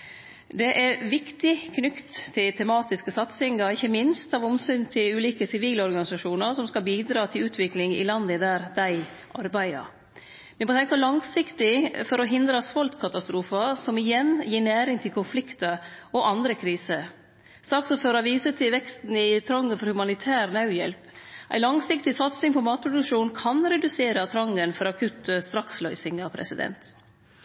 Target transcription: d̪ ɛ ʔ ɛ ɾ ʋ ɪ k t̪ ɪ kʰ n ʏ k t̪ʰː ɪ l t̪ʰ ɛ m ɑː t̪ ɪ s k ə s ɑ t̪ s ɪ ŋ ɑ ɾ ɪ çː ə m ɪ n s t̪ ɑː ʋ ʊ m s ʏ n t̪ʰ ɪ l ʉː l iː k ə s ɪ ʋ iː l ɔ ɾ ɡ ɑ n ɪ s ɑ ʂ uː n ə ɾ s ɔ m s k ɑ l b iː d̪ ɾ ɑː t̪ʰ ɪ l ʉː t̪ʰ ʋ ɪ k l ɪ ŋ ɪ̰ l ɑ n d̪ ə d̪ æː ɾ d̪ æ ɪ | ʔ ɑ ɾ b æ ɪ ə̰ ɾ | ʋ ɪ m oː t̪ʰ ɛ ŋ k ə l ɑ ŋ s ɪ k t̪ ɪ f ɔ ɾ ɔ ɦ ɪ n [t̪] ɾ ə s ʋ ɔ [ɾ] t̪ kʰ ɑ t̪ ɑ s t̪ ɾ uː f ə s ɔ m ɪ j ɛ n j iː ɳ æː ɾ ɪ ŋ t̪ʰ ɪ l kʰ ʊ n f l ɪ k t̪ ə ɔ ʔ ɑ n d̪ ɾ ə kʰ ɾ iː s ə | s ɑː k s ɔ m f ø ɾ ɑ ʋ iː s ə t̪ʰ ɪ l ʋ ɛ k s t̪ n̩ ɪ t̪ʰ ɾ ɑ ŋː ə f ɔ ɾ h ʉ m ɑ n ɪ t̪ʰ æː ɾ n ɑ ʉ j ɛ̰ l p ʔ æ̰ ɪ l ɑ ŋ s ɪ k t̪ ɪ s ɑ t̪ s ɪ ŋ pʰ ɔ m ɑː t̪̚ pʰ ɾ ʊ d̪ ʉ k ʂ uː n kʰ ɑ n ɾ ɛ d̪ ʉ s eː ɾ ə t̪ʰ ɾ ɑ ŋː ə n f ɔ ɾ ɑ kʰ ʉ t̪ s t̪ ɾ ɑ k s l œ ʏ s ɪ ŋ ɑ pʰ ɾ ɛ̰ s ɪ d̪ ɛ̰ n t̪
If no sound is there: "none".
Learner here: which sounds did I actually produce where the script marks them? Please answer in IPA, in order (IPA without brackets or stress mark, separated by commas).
d̪, l